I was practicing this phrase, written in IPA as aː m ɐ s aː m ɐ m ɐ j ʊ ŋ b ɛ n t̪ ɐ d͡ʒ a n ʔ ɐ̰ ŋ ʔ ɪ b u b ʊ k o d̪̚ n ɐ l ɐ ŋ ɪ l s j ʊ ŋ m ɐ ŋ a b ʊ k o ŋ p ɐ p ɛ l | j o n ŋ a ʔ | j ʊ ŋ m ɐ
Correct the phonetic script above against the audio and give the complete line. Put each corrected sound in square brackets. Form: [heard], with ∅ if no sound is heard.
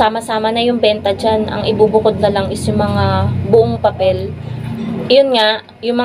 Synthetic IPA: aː m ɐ s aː m ɐ [n] ɐ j ʊ ŋ b ɛ n t̪ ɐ d͡ʒ a n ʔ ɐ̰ ŋ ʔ ɪ b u b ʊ k o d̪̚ n ɐ l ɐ ŋ ɪ [∅] s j ʊ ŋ m ɐ ŋ a b ʊ [ʔ] o ŋ p ɐ p ɛ l | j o n ŋ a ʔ | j ʊ ŋ m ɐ

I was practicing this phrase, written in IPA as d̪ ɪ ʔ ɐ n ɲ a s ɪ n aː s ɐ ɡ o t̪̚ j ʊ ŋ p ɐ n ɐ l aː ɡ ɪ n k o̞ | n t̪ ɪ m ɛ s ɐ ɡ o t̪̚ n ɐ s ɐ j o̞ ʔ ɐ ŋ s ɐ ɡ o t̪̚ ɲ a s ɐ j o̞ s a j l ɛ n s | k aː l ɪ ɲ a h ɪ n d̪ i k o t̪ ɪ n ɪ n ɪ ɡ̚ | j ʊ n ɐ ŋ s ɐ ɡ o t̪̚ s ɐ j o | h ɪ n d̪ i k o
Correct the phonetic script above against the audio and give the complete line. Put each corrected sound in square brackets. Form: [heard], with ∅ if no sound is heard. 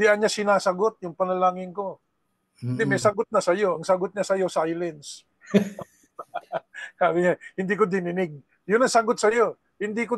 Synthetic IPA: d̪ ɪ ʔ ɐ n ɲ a s ɪ n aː s ɐ ɡ o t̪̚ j ʊ ŋ p ɐ n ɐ l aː [ŋ] ɪ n k o̞ | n [d̪] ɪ m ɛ s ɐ ɡ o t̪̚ n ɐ s ɐ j o̞ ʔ ɐ ŋ s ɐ ɡ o t̪̚ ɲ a s ɐ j o̞ s a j l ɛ n s | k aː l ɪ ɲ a h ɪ n d̪ i k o [d̪] ɪ n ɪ n ɪ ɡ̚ | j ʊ n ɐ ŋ s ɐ ɡ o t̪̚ s ɐ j o | h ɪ n d̪ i k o

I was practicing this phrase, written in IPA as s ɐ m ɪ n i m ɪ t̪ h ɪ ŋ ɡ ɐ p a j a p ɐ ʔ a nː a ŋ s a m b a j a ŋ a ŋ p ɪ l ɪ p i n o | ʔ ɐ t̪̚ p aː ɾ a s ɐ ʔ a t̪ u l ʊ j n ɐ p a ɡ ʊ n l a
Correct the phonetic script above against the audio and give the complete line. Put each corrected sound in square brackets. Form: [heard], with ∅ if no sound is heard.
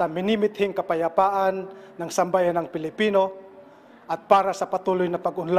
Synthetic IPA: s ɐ m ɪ n i m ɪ t̪ h ɪ ŋ [k] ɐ p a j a p [a] ʔ a nː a ŋ s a m b a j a [n] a ŋ p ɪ l ɪ p i n o | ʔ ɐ t̪̚ p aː ɾ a s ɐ [p] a t̪ u l ʊ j n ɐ p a ɡ ʊ n l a

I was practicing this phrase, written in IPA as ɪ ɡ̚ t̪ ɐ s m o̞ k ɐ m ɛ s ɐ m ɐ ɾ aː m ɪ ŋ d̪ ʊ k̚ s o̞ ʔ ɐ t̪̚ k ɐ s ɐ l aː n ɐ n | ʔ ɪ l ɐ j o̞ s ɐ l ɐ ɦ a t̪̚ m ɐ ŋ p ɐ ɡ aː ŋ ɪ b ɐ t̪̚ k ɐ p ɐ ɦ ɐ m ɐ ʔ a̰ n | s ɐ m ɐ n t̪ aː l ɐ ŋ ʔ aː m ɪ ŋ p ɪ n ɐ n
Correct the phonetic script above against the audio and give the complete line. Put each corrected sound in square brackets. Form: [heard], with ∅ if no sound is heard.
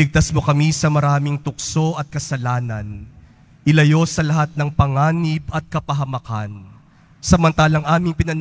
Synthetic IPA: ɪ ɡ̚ t̪ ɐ s m o̞ k ɐ m [i] s ɐ m ɐ ɾ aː m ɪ ŋ [t̪] ʊ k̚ s o̞ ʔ ɐ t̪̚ k ɐ s ɐ l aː n ɐ n | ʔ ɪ l ɐ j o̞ s ɐ l ɐ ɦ a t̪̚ [n] ɐ ŋ p ɐ [ŋ] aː [n] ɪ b ɐ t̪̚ k ɐ p ɐ ɦ ɐ m ɐ [k] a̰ n | s ɐ m ɐ n t̪ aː l ɐ ŋ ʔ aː m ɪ ŋ p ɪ n ɐ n

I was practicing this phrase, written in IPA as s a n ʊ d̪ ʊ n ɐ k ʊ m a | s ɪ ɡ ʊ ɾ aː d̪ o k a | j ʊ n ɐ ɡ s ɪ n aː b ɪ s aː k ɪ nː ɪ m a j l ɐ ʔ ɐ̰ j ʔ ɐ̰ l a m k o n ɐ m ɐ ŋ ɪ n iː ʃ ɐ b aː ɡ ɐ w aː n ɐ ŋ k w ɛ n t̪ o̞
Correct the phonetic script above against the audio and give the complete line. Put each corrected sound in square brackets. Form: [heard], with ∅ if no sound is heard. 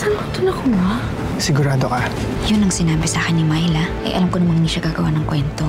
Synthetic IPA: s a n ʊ [t̪] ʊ n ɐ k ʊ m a | s ɪ ɡ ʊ ɾ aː d̪ o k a | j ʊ n ɐ [ŋ] s ɪ n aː b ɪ s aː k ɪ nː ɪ m a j l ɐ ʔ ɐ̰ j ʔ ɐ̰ l a m k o n ɐ m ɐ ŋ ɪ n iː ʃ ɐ [ɡ] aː ɡ ɐ w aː n ɐ ŋ k w ɛ n t̪ o̞

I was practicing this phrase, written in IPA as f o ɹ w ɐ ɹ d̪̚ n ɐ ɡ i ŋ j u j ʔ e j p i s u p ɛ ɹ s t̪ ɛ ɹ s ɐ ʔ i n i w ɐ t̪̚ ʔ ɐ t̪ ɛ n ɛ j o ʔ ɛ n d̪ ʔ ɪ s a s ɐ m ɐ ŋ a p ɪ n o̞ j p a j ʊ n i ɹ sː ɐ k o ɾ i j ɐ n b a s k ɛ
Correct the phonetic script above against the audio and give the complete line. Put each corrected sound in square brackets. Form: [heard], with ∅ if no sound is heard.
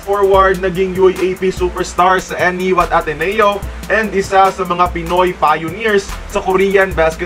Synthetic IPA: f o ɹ w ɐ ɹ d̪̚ n ɐ ɡ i ŋ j u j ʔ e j p i s u p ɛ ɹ s t̪ [a] ɹ s ɐ ʔ [ɛ] n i w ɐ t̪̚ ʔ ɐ t̪ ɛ n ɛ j o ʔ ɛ n d̪ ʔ ɪ s a s ɐ m ɐ ŋ a p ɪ n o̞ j p a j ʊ n i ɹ sː ɐ k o ɾ i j ɐ n b a s k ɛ

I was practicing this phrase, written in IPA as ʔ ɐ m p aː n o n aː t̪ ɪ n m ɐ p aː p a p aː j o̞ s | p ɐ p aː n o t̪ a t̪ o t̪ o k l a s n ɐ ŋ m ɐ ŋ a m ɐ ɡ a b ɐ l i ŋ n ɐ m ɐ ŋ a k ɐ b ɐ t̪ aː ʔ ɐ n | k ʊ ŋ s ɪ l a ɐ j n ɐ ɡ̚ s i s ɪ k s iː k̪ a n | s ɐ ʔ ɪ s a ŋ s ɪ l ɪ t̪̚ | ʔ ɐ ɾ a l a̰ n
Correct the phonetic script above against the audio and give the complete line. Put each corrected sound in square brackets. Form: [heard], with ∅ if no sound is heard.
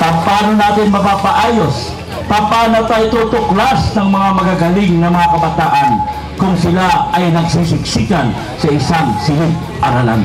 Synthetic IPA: [p] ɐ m p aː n o n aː t̪ ɪ n m ɐ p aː p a [ʔ] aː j o̞ s | p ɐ p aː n o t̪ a t̪ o t̪ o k l a s n ɐ ŋ m ɐ ŋ a m ɐ ɡ a [ɡ] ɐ l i ŋ n ɐ m ɐ ŋ a k ɐ b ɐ t̪ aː ʔ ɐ n | k ʊ ŋ s ɪ l a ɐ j n ɐ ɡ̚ s i s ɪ k s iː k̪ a n | s ɐ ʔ ɪ s a ŋ s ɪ l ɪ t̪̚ | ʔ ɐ ɾ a l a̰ n

